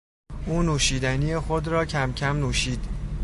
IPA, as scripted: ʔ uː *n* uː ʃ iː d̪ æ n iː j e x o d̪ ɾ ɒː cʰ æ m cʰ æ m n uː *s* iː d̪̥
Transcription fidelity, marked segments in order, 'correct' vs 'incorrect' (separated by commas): correct, incorrect